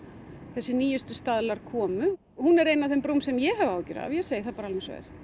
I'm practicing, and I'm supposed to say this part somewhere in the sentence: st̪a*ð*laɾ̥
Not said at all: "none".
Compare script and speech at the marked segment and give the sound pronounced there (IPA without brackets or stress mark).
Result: ð